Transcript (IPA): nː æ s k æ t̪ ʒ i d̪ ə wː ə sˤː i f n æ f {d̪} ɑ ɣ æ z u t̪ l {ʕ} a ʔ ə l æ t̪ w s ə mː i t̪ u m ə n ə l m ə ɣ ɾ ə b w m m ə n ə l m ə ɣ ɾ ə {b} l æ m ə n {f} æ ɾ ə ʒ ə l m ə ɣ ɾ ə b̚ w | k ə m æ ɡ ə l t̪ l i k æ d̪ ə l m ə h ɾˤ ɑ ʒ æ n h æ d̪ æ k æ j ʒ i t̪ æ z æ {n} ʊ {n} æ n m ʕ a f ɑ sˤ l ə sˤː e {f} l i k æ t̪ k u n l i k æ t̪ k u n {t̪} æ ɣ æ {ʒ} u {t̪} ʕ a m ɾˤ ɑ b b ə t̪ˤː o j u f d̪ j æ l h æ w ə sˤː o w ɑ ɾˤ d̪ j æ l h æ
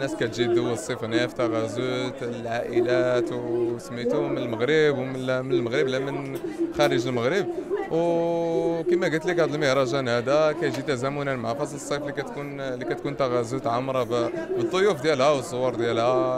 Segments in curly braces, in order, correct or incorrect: incorrect: t̪, correct, correct, incorrect: x, incorrect: m, correct, correct, correct, incorrect: z, correct

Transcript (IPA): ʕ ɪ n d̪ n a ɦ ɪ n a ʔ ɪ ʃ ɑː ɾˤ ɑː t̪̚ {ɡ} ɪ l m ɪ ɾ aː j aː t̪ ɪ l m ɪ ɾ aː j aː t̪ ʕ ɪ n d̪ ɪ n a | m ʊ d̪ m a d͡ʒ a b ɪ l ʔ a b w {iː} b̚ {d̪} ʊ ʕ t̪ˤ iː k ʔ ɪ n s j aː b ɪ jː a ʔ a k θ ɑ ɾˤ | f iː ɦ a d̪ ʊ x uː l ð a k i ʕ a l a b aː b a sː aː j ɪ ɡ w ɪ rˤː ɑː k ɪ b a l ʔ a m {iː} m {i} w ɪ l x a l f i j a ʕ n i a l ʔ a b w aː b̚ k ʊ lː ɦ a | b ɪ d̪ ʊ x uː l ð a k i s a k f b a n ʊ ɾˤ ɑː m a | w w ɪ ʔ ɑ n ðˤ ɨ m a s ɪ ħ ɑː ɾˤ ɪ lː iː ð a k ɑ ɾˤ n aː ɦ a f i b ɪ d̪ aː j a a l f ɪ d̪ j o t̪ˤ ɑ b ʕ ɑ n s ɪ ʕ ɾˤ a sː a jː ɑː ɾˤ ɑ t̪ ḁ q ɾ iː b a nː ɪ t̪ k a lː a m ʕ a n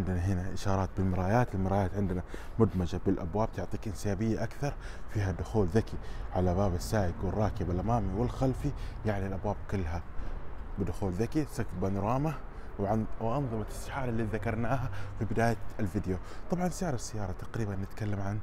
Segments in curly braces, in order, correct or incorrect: incorrect: b, incorrect: aː, incorrect: t̪, incorrect: aː, correct

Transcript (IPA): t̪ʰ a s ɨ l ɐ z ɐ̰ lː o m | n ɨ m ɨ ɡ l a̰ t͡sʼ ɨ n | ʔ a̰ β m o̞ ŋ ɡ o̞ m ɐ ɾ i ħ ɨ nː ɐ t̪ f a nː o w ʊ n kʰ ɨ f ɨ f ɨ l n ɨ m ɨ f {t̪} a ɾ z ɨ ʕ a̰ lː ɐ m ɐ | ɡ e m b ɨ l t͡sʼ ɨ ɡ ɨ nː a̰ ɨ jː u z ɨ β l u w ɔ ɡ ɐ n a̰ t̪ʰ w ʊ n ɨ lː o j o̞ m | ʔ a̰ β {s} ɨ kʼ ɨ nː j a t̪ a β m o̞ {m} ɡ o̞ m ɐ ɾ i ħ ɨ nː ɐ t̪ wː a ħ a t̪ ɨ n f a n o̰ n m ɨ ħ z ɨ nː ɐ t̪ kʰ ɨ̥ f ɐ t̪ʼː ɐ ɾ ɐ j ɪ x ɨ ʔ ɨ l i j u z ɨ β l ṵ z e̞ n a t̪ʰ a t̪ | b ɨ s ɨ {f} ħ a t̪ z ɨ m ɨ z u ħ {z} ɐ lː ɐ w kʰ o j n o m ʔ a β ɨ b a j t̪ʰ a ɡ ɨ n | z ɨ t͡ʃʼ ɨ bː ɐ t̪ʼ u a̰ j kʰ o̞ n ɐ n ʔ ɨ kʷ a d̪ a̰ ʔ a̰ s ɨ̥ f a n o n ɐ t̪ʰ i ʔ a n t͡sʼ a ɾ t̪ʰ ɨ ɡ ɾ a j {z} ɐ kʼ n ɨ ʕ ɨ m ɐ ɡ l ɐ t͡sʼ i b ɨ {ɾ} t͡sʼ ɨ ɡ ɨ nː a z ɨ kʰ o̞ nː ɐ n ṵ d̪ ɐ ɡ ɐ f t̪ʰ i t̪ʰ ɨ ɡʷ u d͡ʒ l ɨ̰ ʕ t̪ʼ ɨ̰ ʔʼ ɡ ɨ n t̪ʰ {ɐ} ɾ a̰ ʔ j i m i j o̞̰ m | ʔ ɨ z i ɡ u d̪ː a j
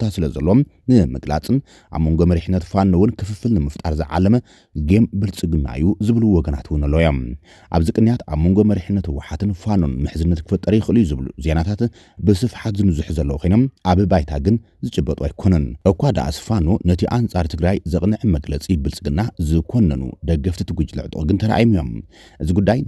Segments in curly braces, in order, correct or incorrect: incorrect: t̪ʼ, incorrect: z, incorrect: ŋ, correct, correct, correct, incorrect: l, correct

